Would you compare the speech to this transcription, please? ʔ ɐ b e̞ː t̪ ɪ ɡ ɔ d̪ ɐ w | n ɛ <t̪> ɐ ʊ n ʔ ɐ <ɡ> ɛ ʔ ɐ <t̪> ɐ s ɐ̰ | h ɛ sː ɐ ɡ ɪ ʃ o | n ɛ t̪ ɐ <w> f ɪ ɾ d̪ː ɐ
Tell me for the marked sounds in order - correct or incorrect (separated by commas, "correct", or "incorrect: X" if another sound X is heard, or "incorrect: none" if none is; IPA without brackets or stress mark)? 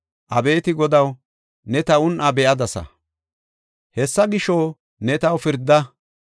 correct, incorrect: b, incorrect: d̪, correct